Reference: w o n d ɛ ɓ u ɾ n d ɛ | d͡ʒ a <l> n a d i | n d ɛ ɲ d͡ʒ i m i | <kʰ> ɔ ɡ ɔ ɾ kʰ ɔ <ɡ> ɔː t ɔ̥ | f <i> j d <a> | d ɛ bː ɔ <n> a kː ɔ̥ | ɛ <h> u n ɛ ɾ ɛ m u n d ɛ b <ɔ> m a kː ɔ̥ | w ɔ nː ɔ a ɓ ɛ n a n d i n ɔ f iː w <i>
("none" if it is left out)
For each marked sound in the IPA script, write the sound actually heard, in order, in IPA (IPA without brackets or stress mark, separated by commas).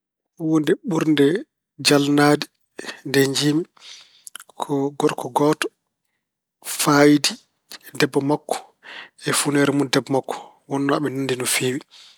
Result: l, kʰ, ɡ, a, i, m, f, ɔ, i